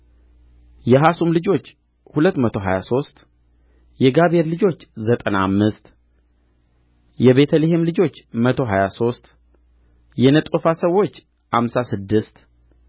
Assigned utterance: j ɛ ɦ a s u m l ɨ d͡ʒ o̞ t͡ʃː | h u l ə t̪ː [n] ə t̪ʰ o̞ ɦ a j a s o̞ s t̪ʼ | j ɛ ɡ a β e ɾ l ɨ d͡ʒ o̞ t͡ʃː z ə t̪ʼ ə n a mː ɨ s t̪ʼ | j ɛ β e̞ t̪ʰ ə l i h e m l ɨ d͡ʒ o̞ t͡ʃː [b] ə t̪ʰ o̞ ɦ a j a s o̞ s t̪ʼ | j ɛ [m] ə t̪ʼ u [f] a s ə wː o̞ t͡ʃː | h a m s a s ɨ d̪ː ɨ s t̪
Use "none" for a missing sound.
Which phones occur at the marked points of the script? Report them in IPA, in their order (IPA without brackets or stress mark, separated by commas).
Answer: m, m, n, f